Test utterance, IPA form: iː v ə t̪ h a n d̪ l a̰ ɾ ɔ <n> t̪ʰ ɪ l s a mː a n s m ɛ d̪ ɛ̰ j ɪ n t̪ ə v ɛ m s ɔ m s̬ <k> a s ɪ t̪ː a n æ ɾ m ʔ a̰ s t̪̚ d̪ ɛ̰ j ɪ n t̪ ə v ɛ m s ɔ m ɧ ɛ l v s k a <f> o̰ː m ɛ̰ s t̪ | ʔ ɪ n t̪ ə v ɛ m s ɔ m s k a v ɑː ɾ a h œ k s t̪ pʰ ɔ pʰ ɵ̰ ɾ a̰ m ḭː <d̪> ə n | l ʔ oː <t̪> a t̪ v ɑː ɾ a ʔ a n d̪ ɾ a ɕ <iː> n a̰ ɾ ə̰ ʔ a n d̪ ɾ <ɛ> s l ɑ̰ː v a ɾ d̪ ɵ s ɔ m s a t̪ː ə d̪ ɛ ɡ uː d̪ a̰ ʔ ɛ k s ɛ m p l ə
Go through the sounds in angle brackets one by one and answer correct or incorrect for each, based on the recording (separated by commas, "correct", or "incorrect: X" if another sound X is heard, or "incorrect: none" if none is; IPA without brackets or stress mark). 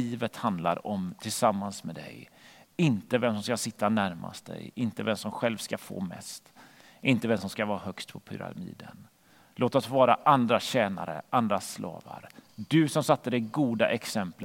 incorrect: m, correct, correct, correct, correct, incorrect: ɛː, incorrect: a